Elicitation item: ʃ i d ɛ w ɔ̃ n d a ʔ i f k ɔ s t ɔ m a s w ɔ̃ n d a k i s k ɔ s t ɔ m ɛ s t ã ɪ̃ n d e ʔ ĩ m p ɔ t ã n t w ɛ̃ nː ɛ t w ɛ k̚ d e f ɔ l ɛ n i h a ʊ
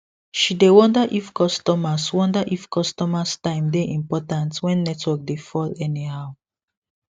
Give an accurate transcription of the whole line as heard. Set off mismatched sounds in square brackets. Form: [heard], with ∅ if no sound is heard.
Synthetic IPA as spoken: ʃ i d [e] w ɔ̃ n d a ʔ i f k ɔ s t ɔ m a s w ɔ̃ n d a [ʔ] i [f] k ɔ s t ɔ m [a] s t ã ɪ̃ [m] d e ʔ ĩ m p ɔ t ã n t w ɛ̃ nː ɛ t w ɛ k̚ d e f ɔ l ɛ n i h a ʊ